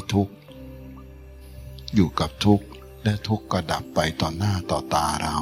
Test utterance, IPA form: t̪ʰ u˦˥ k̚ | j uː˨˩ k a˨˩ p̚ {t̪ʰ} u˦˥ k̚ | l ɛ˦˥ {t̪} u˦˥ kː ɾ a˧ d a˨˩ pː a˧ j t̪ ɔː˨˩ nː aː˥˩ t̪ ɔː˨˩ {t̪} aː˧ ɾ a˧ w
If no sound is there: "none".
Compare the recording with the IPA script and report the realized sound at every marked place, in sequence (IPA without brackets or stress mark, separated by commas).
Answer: t̪ʰ, t̪ʰ, t̪